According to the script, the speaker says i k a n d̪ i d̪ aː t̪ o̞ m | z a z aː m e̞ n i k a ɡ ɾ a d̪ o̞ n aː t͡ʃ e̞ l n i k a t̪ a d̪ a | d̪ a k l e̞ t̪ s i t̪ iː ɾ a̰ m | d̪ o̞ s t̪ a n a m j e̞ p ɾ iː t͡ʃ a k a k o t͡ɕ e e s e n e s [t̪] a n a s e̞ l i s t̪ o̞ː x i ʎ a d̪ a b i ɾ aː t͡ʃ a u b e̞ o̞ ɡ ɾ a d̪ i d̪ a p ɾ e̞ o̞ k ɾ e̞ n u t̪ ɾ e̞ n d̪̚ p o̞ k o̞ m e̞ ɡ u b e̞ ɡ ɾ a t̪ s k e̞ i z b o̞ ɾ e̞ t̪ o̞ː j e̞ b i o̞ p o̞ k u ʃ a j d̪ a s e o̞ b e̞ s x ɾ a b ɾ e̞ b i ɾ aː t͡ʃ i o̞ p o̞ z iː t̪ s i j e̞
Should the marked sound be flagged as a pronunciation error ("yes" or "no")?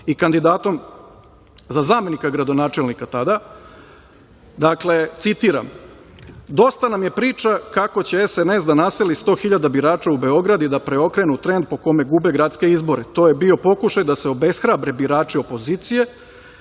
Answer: yes